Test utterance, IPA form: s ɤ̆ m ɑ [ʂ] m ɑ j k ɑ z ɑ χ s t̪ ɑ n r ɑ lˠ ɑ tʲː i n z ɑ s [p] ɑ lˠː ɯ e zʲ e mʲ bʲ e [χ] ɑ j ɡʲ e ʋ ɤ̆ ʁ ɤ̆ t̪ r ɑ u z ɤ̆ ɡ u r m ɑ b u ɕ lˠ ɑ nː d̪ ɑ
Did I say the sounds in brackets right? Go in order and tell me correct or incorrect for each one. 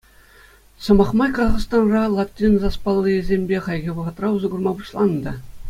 incorrect: χ, correct, correct

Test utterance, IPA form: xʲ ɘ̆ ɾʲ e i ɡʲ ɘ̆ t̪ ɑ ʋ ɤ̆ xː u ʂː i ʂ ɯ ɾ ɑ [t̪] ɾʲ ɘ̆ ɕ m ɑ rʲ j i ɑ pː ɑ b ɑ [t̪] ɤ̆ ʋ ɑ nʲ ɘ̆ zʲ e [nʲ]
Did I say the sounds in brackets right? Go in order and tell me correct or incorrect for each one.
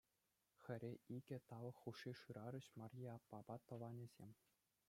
incorrect: none, correct, incorrect: mʲ

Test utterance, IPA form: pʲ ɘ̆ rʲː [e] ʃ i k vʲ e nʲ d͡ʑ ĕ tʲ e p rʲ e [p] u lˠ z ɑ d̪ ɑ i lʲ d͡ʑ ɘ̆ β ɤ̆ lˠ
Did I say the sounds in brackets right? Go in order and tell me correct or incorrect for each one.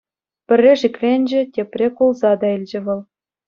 correct, incorrect: k

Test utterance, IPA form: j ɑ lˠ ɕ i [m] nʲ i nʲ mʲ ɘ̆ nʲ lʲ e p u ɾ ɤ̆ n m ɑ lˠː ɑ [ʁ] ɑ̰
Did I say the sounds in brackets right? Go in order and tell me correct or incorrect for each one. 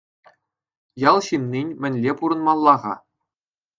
correct, correct

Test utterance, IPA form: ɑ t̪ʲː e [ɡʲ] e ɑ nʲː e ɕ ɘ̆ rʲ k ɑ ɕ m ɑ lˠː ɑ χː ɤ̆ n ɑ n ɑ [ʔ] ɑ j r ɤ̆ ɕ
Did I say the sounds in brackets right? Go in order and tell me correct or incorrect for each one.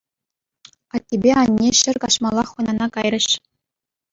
incorrect: bʲ, incorrect: k

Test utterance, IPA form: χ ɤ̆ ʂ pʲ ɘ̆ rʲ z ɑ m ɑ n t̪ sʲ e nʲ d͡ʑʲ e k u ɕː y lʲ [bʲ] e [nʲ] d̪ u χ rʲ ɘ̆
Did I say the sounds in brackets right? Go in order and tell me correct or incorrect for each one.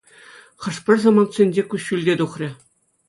incorrect: dʲ, incorrect: none

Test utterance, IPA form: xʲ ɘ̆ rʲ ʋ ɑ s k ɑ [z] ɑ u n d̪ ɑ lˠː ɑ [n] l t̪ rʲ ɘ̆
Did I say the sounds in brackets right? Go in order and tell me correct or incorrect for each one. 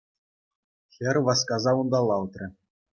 correct, incorrect: none

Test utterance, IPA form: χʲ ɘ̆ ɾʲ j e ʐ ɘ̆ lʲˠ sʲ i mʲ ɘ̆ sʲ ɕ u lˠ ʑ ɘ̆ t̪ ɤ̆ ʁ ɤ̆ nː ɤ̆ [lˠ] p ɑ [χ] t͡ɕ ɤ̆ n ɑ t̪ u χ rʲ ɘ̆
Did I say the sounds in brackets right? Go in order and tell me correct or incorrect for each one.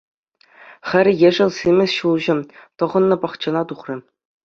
incorrect: none, correct

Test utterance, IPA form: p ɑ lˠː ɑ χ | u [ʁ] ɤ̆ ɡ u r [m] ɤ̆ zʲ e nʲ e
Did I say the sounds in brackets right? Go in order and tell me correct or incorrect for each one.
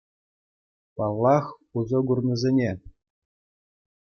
incorrect: z, incorrect: n

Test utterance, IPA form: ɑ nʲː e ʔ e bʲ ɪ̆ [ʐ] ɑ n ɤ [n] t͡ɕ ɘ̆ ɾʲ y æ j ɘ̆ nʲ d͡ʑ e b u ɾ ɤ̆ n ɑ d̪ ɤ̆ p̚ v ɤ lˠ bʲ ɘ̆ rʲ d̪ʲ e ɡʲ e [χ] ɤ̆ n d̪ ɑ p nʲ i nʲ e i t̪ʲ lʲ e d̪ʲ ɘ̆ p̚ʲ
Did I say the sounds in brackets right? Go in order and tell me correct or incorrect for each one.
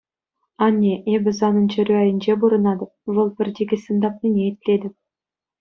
incorrect: z, correct, incorrect: s

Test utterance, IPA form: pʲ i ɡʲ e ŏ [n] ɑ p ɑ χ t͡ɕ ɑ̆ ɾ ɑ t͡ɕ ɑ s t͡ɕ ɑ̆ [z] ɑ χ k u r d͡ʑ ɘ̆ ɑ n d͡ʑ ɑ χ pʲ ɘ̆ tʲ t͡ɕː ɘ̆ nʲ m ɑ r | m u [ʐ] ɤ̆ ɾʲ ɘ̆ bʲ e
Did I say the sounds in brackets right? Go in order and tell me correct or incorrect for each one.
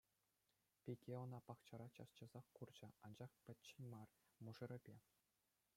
correct, correct, correct

